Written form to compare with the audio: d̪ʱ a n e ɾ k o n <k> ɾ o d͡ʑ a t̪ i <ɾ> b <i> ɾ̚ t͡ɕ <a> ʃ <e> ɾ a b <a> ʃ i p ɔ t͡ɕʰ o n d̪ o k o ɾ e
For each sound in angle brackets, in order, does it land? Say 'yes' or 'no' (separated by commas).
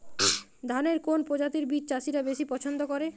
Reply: no, yes, yes, yes, no, no